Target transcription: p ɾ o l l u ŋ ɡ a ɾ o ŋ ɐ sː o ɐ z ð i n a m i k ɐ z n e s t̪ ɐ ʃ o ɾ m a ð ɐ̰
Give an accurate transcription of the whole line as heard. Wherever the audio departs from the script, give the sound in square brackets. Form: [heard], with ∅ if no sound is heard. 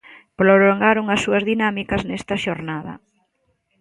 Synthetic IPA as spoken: p ɾ o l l [o] ŋ ɡ a ɾ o ŋ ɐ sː [u] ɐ z ð i n a m i k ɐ z n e s t̪ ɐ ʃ o ɾ [n] a ð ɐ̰